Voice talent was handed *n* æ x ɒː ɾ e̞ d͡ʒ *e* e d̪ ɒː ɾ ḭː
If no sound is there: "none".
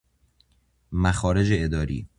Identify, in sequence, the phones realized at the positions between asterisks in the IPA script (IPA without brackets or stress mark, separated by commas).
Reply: m, e